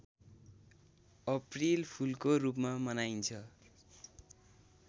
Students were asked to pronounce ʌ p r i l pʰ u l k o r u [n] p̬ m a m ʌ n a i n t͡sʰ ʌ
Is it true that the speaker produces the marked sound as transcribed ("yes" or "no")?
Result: no